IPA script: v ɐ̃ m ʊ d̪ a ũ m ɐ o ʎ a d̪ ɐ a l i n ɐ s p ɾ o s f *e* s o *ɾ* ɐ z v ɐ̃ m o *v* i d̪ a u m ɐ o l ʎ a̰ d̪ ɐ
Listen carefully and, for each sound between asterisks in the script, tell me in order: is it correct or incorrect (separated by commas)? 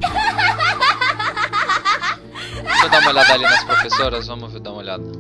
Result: correct, correct, correct